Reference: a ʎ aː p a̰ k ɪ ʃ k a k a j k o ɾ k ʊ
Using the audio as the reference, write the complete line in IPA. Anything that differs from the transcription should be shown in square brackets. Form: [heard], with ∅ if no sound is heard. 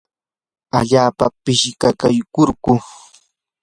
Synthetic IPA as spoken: a ʎ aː p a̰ [p] ɪ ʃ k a k a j k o ɾ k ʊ